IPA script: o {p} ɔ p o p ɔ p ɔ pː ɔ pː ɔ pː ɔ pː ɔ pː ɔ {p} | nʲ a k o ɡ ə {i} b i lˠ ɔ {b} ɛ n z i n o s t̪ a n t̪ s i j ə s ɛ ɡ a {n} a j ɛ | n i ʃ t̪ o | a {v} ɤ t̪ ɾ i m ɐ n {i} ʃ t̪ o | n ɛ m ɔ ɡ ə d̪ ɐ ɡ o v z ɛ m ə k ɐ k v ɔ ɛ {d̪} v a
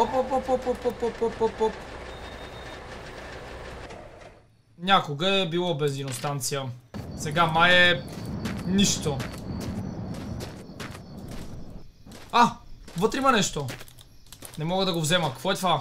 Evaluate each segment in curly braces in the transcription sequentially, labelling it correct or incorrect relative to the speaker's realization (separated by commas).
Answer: correct, correct, incorrect, correct, incorrect, correct, incorrect, incorrect